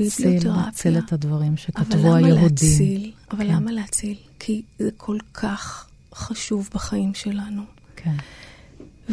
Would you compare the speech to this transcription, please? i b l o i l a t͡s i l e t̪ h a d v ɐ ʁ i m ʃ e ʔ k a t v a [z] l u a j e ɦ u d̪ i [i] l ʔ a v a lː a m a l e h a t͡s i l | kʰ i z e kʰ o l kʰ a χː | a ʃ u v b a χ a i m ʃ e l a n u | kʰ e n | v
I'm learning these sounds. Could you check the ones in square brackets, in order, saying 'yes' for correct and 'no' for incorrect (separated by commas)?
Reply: no, yes